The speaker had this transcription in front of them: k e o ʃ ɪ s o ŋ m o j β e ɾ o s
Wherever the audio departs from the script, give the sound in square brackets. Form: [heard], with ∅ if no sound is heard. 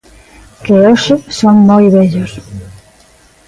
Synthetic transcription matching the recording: k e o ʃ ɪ s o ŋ m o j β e [ʎ] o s